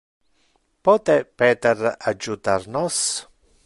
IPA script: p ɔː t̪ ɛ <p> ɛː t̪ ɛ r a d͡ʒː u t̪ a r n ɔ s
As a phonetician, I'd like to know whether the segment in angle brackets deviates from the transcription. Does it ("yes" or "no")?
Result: no